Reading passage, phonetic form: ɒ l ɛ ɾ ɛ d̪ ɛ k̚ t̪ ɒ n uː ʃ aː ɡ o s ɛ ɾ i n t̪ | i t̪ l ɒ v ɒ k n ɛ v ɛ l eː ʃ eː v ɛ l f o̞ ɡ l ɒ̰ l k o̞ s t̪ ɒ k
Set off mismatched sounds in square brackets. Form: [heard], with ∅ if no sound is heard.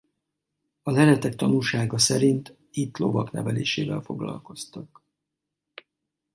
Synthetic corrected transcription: ɒ l ɛ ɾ ɛ [t̪] ɛ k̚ t̪ ɒ n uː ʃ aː ɡ [ɒ] s ɛ ɾ i n t̪ | i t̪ l [o] v ɒ k n ɛ v ɛ l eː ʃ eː v ɛ l f o̞ ɡ l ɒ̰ l k o̞ s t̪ ɒ k